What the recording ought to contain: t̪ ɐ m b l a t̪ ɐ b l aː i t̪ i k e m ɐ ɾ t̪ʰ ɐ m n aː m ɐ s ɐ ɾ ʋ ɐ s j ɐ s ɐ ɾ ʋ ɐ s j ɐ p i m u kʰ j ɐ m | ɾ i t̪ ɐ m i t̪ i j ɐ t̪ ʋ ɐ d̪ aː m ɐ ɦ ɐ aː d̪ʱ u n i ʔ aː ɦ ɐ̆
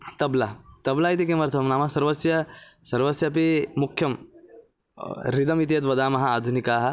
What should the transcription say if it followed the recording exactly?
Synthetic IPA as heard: t̪ ɐ b l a t̪ ɐ b l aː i t̪ i k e m ɐ ɾ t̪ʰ ɐ m n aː m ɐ s ɐ ɾ ʋ ɐ s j ɐ s ɐ ɾ ʋ ɐ s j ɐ p i m u kʰ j ɐ m | ɾ i d̪ ɐ m i t̪ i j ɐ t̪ ʋ ɐ d̪ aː m ɐ ɦ ɐ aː d̪ʱ u n i k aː ɦ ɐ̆